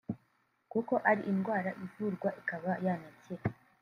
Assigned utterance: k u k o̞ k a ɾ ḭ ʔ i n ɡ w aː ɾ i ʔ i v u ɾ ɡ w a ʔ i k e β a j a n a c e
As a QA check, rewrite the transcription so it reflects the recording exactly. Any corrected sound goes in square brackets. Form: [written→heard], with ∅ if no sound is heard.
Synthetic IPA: k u k o̞ [k→ʔ] a ɾ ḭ ʔ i n ɡ w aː ɾ [i→a] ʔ i v u ɾ ɡ w a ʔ i k [e→a] β a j a n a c e